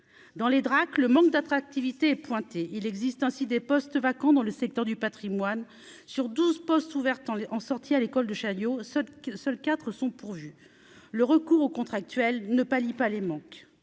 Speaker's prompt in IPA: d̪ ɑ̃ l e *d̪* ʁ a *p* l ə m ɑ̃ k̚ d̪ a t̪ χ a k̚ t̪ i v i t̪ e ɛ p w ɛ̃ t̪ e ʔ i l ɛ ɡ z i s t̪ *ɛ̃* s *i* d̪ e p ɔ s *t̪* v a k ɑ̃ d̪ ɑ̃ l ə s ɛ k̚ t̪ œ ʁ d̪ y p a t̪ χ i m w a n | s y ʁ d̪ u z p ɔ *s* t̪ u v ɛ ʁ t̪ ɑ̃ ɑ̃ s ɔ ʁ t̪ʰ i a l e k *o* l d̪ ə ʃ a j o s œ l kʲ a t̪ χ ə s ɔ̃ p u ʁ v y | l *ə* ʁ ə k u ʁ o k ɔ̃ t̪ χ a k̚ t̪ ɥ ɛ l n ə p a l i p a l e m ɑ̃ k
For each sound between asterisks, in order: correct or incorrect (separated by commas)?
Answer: correct, incorrect, correct, correct, correct, correct, incorrect, correct